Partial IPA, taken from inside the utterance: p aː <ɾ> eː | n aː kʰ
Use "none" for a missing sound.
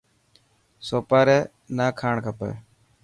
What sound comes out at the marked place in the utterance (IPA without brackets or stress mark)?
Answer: ɾ